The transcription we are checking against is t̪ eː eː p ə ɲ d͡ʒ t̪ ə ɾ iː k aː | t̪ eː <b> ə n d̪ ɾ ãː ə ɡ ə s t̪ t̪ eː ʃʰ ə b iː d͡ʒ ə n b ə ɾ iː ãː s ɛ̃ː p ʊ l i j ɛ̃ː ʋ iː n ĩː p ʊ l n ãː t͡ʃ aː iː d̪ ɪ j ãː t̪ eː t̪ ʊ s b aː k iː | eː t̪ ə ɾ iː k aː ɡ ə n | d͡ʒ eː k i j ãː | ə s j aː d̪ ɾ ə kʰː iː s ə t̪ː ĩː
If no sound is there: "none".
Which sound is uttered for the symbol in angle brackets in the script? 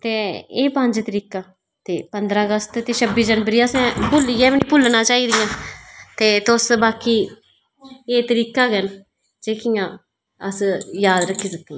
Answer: p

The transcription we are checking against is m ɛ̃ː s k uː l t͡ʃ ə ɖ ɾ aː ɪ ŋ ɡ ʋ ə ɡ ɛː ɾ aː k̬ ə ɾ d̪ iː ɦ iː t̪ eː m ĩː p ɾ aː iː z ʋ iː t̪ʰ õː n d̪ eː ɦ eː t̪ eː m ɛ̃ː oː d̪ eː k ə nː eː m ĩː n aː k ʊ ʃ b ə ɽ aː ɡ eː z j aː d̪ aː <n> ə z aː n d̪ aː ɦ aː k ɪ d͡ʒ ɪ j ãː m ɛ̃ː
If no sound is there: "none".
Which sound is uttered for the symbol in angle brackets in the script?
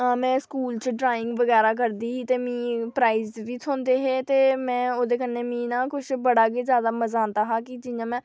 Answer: m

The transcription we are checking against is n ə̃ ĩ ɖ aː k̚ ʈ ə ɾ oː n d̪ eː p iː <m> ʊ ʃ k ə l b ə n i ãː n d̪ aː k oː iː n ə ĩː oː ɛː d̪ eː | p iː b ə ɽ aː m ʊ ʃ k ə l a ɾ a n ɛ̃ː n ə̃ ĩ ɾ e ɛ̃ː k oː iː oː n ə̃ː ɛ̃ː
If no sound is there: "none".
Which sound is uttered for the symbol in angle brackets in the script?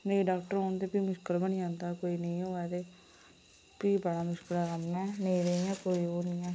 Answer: m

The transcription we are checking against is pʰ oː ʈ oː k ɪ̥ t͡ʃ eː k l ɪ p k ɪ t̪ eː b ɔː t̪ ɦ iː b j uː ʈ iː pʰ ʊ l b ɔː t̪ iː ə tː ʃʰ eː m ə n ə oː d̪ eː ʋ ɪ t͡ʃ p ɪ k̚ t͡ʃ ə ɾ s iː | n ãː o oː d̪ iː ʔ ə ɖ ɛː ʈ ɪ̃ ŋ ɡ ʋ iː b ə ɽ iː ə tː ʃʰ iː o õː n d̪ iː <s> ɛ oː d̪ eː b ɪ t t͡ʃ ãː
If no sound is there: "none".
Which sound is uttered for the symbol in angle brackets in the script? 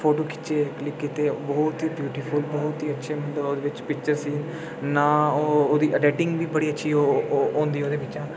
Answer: none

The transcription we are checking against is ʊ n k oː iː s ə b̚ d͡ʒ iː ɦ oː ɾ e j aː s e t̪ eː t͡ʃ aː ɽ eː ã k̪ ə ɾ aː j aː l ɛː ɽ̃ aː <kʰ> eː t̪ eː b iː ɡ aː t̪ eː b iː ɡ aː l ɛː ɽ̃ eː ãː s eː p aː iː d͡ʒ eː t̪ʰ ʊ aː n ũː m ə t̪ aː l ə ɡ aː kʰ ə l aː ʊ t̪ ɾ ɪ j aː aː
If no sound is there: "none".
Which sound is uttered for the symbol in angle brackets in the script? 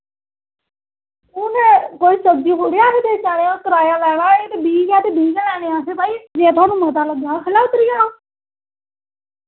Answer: none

